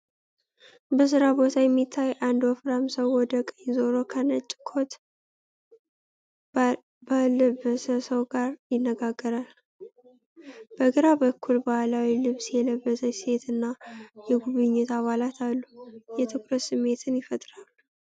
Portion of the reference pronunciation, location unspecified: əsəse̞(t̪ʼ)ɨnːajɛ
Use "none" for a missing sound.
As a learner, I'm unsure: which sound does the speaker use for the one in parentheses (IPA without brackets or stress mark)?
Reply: t̪